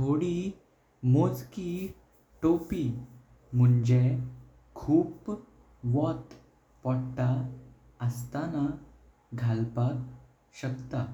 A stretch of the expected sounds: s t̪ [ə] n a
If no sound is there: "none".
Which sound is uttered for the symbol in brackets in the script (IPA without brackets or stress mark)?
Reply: a